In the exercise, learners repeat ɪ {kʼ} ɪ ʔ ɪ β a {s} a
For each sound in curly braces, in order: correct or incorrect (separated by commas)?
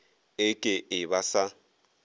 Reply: correct, correct